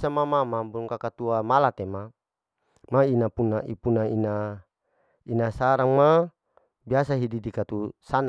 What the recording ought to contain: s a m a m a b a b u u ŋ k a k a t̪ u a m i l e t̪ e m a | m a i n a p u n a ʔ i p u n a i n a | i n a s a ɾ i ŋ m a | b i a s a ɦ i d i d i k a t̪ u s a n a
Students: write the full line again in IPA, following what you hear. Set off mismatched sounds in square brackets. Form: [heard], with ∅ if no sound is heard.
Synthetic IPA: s a m a m a [m] a b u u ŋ k a k a t̪ u a m [a] l [a] t̪ e m a | m a i n a p u n a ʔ i p u n a i n a | i n a s a ɾ [a] ŋ m a | b i a s a ɦ i d i d i k a t̪ u s a n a